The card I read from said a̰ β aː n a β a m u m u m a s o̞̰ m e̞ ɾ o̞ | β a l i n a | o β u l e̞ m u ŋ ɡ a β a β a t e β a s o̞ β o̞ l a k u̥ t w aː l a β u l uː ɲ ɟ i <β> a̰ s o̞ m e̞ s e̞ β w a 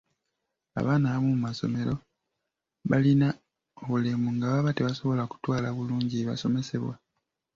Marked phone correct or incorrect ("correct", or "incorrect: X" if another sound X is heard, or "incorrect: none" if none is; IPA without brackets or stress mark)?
correct